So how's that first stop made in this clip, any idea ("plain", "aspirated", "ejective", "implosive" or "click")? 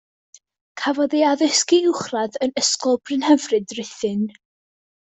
aspirated